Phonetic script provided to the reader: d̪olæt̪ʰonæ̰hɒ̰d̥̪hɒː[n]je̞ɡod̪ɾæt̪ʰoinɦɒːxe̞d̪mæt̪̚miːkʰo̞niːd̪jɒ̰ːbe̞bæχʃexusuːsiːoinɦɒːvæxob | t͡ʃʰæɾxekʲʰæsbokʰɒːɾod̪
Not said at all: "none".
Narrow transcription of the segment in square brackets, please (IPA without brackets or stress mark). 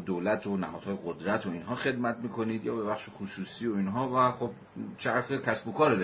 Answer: none